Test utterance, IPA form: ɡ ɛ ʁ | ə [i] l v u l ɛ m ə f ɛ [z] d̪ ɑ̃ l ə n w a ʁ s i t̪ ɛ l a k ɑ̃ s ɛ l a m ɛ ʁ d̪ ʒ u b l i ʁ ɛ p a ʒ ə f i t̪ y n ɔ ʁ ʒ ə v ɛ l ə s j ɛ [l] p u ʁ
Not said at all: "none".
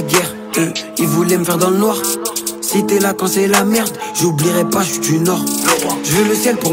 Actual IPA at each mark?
i, ʁ, l

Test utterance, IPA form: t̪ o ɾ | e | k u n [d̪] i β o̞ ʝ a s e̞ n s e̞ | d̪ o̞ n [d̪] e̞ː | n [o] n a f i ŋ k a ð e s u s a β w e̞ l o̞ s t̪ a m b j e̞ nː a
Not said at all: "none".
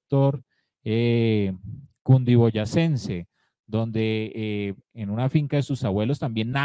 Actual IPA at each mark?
d̪, d̪, u

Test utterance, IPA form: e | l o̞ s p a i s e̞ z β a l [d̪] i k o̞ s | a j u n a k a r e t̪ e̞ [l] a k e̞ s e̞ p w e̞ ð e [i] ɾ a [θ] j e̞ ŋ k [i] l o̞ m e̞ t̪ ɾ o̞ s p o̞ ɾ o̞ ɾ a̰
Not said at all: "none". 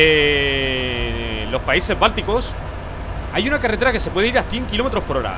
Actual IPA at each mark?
t̪, ɾ, i, θ, i

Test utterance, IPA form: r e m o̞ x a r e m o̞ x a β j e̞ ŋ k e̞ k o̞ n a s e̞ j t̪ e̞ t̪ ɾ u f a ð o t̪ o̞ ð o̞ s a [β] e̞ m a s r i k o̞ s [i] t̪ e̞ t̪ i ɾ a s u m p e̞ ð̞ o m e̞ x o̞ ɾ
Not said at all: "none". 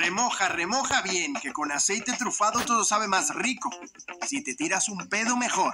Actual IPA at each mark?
β, i

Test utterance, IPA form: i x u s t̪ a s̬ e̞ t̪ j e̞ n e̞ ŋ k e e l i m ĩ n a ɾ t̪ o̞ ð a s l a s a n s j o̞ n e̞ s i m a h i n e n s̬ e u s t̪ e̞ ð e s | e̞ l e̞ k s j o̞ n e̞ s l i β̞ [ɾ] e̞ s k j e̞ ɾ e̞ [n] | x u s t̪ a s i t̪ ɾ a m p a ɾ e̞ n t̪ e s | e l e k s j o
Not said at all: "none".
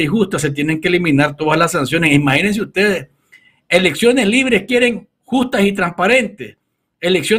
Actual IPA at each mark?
ɾ, ŋ

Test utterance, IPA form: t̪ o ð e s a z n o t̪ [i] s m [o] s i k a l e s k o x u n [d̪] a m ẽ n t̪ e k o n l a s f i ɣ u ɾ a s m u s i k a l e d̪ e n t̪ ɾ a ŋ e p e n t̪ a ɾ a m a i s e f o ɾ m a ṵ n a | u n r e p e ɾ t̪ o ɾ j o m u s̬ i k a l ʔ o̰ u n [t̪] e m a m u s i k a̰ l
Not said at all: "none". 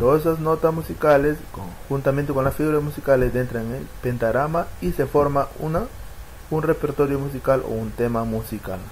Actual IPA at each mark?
a, u, t̪, t̪

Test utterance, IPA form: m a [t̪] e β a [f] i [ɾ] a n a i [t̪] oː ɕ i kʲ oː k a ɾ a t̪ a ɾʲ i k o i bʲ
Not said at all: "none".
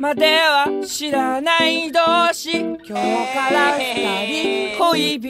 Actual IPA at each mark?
d̪, ɕ, ɾ, d̪

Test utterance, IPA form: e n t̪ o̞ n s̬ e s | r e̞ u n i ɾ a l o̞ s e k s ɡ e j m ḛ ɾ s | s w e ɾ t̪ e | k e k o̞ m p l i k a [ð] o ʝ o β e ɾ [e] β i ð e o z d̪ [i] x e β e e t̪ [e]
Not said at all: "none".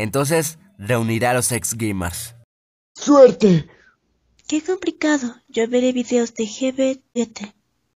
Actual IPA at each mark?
ð, e, e, e

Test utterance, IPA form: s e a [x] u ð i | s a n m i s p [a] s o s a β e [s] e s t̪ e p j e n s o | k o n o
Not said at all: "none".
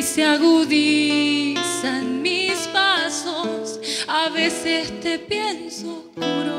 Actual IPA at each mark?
ɣ, a, s

